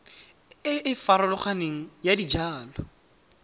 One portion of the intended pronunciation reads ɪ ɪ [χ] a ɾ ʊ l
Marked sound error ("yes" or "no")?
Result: yes